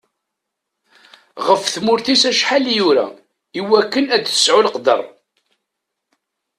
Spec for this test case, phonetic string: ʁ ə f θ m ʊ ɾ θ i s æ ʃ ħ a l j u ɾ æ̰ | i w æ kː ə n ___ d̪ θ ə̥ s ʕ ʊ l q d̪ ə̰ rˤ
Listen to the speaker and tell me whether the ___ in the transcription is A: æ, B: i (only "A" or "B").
A